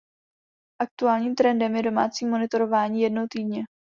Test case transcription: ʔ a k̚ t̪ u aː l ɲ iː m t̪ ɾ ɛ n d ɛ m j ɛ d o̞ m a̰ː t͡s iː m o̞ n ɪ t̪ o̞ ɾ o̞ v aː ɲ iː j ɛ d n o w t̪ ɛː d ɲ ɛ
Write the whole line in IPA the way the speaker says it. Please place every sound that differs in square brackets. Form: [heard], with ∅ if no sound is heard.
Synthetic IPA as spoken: ʔ a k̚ t̪ u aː l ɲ iː m t̪ ɾ ɛ n d ɛ m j ɛ d o̞ m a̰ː t͡s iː m o̞ n ɪ t̪ o̞ ɾ o̞ v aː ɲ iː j ɛ d n o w t̪ [iː] d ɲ ɛ